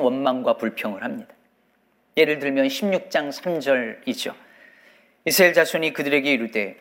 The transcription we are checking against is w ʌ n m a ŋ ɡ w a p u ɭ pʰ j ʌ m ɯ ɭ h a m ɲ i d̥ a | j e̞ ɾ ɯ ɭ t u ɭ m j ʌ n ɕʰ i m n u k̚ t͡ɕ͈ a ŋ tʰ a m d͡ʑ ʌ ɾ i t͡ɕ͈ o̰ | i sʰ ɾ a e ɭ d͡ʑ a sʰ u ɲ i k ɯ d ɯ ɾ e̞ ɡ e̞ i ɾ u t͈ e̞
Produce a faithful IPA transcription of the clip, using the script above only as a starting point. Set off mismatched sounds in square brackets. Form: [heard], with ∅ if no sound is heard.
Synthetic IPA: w ʌ n m a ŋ ɡ w a p u ɭ pʰ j ʌ [ŋ] ɯ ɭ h a m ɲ i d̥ a | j e̞ ɾ ɯ ɭ t [ɯ] ɭ m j ʌ n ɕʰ i m [ɲ] u k̚ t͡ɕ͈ a ŋ [sʰ] a m d͡ʑ ʌ ɾ i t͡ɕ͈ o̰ | i sʰ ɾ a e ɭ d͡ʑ a sʰ u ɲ i k ɯ d ɯ ɾ e̞ ɡ e̞ i ɾ u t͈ e̞